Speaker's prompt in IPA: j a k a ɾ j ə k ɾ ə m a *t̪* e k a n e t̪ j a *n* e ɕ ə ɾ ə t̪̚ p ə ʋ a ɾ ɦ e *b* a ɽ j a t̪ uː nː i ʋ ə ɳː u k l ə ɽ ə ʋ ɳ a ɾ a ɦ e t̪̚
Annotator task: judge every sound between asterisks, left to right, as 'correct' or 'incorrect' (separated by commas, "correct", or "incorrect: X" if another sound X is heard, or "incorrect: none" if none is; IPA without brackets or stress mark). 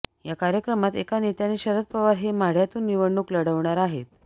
correct, correct, incorrect: m